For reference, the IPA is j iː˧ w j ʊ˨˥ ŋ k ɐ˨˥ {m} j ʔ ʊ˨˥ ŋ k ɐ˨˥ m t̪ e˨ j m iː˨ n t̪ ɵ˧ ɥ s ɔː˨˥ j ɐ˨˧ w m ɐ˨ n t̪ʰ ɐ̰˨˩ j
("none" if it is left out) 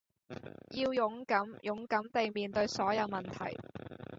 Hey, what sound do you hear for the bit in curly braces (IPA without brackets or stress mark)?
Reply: m